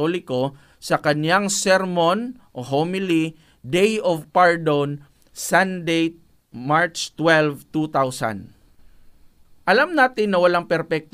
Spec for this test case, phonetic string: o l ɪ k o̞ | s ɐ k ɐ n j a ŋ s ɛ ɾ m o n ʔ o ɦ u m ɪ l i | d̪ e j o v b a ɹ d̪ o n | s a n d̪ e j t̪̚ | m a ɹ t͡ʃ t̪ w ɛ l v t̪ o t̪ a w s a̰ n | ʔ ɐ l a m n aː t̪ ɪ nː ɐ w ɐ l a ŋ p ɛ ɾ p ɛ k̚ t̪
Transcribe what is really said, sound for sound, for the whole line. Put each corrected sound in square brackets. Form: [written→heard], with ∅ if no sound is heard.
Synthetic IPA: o l ɪ k o̞ | s ɐ k ɐ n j a ŋ s ɛ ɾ m o n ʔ o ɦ [u→o] m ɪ l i | d̪ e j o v [b→p] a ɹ d̪ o n | s a n d̪ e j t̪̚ | m a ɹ t͡ʃ t̪ w ɛ l v t̪ [o→u] t̪ a w s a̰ n | ʔ ɐ l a m n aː t̪ ɪ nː ɐ w ɐ l a ŋ p ɛ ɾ p ɛ k̚ t̪